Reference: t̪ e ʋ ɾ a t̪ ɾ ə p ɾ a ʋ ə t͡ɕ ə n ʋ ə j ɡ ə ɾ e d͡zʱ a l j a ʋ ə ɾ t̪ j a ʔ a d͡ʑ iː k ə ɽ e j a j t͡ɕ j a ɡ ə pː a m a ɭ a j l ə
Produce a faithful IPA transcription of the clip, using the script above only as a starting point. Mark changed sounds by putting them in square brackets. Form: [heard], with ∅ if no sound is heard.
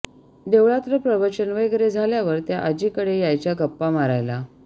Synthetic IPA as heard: [d̪] e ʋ [ɭ] a t̪ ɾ ə p ɾ [ə] ʋ ə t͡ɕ ə n ʋ ə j ɡ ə ɾ e d͡zʱ a l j a ʋ ə ɾ t̪ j a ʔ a d͡ʑ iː k ə ɽ e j a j t͡ɕ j a ɡ ə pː a m a [ɾ] a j l [a]